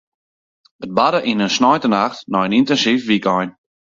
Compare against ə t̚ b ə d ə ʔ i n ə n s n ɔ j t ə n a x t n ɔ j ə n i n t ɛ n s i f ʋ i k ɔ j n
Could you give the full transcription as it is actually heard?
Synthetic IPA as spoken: ə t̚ b a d ə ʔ i n ə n s n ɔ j t ə n a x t n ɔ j ə n i n t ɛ n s i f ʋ i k ɔ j n